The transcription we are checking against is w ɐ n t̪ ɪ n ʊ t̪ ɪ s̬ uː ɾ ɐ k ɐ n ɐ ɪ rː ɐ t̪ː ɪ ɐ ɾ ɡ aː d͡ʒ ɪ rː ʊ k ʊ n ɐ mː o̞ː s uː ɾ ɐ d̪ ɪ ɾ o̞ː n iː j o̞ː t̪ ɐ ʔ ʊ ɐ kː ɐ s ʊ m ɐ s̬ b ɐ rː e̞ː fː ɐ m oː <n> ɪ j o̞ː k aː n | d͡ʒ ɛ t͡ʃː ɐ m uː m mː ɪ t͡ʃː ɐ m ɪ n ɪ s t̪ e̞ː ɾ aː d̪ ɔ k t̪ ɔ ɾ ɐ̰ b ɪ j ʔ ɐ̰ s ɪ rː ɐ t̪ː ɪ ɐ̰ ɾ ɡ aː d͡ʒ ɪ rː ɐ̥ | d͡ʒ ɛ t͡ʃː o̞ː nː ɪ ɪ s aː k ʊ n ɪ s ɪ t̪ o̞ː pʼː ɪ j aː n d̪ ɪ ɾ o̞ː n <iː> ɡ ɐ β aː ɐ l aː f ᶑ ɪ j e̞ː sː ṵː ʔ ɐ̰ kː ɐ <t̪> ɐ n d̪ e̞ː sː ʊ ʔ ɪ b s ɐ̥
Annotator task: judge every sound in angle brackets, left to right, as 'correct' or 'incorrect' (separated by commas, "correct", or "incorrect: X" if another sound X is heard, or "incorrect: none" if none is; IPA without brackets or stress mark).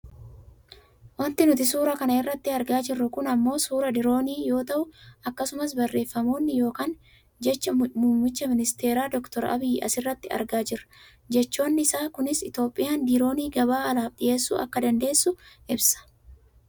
incorrect: nː, correct, incorrect: d̪